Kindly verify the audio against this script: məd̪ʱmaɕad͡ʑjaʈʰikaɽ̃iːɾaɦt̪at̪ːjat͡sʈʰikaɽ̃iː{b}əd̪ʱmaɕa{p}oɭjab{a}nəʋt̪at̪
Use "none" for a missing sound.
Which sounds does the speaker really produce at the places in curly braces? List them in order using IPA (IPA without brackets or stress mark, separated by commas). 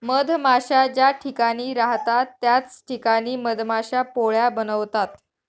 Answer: m, p, ə